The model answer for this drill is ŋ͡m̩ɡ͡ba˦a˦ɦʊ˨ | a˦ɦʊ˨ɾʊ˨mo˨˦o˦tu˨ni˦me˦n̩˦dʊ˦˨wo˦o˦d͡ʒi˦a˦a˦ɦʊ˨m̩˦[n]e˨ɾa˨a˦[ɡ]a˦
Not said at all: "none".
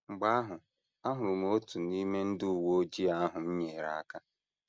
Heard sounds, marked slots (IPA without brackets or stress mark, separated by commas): ɲ, k